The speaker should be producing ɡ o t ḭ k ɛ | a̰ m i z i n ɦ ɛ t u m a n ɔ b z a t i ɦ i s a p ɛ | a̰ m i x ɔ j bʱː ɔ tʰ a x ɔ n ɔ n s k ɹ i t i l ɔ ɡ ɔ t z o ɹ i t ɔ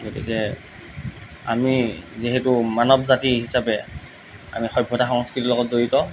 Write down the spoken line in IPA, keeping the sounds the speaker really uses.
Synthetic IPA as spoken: ɡ o t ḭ k ɛ | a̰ m i z i ɦ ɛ t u m a n ɔ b z a t i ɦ i s a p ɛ | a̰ m i x ɔ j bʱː ɔ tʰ a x ɔ ŋ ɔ s k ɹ i t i l ɔ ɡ ɔ t z o ɹ i t ɔ